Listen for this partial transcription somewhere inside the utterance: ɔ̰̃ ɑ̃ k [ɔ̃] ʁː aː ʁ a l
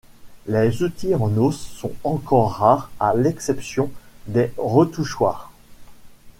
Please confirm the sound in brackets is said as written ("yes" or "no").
no